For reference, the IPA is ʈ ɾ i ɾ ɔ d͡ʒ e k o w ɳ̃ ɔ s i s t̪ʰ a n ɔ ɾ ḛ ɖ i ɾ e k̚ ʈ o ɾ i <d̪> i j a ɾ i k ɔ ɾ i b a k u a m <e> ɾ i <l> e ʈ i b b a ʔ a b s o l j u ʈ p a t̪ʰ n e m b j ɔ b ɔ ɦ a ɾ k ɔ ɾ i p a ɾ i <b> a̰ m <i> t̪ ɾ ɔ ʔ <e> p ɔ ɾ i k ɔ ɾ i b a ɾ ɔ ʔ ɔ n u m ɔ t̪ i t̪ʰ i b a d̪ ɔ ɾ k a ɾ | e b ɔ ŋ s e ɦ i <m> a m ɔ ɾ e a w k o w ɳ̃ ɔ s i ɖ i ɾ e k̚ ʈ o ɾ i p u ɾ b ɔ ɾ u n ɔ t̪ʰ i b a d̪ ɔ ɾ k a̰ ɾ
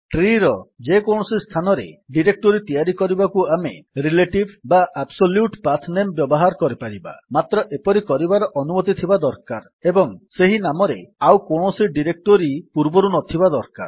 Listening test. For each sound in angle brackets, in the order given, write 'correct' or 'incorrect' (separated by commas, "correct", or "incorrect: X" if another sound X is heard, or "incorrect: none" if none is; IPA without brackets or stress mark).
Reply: incorrect: t̪, correct, correct, correct, incorrect: a, correct, incorrect: n